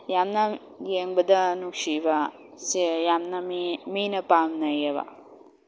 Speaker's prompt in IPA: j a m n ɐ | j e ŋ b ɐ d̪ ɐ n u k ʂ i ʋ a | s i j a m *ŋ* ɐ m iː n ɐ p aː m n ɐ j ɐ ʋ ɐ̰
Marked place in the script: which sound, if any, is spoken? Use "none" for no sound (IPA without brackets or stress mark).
n